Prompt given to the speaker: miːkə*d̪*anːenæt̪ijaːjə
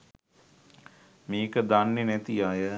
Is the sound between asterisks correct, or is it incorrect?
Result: correct